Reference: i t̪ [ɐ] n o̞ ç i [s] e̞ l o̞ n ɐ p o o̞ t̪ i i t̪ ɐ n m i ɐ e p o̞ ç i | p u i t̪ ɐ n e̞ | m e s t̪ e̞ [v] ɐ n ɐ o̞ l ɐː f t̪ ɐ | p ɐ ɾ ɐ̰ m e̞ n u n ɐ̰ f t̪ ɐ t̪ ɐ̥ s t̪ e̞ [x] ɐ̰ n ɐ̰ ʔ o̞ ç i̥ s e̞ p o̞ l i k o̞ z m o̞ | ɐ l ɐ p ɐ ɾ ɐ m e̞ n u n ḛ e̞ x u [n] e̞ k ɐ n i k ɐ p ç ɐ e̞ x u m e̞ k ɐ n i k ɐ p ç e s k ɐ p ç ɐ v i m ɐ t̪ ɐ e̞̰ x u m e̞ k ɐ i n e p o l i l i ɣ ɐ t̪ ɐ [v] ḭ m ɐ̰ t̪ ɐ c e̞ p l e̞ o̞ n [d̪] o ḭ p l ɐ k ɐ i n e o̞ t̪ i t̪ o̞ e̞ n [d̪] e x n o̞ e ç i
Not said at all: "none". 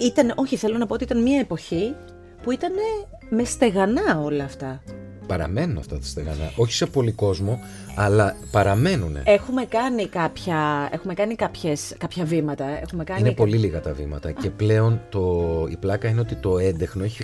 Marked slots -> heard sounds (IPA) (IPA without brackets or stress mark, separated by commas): ɐ, θ, ɣ, ɣ, m, v, t̪, d̪